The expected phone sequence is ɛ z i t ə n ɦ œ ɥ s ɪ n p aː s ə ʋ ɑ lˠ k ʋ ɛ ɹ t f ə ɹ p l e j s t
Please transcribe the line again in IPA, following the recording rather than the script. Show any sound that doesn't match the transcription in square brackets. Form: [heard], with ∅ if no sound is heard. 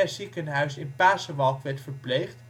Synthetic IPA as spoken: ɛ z i [k] ə n ɦ œ ɥ s ɪ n p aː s ə ʋ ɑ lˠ k ʋ ɛ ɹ t f ə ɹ p l e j [χ] t